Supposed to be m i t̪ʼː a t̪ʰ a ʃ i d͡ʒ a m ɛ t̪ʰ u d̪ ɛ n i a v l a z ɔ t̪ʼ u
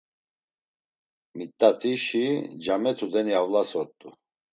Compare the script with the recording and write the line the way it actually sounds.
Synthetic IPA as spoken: m i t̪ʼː a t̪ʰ i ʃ i d͡ʒ a m ɛ t̪ʰ u d̪ ɛ n i a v l a s ɔ t̪ʼ u